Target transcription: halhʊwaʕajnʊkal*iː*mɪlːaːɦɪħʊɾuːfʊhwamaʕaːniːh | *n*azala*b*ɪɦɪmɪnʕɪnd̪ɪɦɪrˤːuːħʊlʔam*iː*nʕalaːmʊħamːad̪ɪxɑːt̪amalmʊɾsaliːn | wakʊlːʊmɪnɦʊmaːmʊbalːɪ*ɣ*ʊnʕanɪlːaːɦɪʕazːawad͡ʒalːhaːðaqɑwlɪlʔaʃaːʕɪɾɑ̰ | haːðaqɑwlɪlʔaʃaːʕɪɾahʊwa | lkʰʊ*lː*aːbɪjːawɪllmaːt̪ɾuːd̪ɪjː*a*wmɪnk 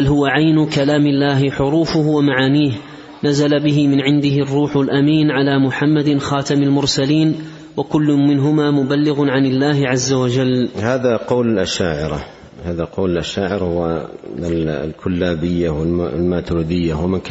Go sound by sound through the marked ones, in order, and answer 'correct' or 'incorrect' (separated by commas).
incorrect, correct, correct, correct, correct, correct, correct